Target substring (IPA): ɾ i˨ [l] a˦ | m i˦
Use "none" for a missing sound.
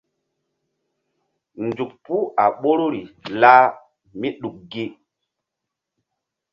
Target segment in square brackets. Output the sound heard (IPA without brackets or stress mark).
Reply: l